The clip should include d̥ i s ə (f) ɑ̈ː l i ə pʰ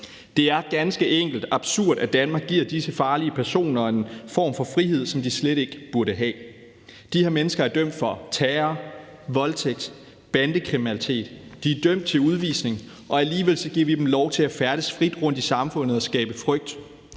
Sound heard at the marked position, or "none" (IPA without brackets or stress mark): f